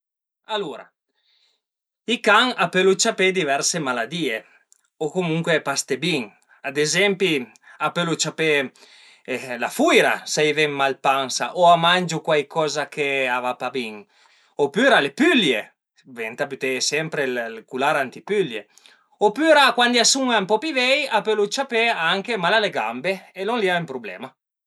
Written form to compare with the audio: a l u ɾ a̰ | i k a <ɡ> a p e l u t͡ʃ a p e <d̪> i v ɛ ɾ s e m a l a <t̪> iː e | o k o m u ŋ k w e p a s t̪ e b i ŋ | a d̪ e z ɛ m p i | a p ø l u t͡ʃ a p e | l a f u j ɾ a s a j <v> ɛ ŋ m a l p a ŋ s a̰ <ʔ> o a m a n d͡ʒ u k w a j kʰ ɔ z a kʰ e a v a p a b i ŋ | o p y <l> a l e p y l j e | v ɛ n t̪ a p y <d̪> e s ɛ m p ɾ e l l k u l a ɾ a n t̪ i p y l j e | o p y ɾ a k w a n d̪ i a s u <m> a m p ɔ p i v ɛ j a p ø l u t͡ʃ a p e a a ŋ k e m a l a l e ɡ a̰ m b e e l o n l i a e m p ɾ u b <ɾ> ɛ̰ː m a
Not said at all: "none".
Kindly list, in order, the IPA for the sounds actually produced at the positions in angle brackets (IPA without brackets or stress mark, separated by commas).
ŋ, d̪, d̪, v, ʔ, ɾ, t̪, ŋ, l